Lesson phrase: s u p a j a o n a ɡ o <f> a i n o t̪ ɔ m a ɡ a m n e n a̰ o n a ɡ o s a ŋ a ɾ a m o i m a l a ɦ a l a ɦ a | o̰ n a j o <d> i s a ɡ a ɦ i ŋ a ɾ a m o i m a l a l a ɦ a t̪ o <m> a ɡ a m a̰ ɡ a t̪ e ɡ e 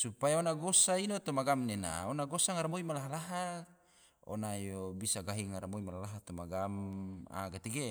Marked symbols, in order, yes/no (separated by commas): no, no, yes